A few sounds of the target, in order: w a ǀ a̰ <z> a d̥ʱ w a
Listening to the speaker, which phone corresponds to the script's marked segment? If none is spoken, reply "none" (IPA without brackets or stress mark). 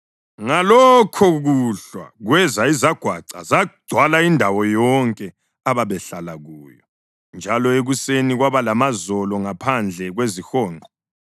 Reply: z